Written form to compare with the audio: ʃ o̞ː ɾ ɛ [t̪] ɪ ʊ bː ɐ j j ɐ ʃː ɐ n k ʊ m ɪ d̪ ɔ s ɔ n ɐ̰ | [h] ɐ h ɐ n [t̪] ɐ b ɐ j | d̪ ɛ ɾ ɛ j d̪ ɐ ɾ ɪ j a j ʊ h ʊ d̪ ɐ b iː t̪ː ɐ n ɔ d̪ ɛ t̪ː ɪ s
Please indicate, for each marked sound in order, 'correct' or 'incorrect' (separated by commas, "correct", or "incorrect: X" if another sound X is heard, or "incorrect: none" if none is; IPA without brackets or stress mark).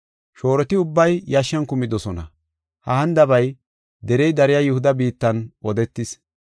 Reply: correct, correct, incorrect: d̪